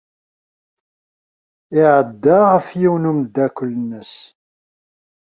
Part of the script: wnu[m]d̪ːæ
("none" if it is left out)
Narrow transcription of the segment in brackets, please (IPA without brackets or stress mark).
m